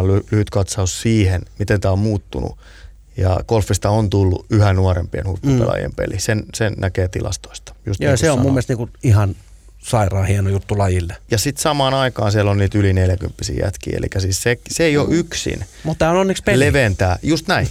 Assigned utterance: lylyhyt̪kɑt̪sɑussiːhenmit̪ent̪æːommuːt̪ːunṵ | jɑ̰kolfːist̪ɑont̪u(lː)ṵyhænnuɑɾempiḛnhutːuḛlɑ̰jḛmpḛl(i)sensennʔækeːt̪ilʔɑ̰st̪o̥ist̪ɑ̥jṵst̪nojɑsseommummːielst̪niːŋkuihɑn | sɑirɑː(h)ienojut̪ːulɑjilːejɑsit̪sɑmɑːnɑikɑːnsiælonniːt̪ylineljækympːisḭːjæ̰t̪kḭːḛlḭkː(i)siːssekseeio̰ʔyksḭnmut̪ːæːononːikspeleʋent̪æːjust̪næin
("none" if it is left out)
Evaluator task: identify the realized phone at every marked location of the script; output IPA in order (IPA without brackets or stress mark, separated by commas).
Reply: lː, i, h, æ